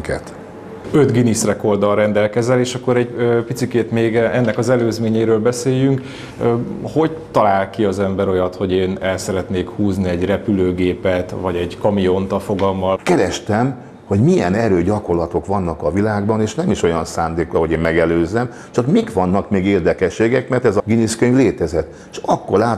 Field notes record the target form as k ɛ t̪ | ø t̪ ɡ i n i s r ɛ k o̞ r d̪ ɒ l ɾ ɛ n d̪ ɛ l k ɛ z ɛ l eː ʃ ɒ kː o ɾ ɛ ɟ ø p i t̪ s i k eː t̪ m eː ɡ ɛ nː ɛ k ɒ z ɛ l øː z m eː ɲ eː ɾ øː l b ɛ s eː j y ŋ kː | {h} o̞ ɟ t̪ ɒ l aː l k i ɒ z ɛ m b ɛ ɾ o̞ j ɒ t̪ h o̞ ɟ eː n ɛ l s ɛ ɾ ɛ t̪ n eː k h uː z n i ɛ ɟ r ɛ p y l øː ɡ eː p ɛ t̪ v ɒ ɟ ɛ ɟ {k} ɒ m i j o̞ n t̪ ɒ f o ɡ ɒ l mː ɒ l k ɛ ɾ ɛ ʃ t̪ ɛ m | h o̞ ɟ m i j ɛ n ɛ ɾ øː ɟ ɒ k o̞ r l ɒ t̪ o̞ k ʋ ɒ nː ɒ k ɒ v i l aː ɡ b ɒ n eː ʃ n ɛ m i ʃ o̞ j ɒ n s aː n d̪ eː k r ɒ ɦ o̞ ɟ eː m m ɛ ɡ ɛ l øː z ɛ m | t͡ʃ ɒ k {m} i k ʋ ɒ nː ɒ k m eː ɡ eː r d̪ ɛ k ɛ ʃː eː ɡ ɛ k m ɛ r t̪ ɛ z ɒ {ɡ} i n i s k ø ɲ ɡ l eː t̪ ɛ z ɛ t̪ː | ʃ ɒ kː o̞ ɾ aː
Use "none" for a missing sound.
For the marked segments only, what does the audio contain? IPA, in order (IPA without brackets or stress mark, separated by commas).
h, k, m, ɡ